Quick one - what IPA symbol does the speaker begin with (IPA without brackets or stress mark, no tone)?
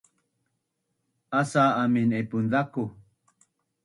a